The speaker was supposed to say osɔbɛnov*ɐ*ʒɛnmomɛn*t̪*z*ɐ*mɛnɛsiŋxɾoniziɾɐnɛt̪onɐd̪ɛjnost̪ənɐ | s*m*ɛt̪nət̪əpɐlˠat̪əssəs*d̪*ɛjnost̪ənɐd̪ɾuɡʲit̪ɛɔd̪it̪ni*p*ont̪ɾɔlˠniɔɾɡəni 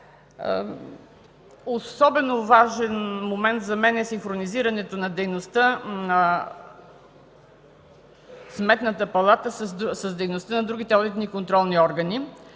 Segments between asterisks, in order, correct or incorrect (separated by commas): incorrect, correct, correct, correct, correct, incorrect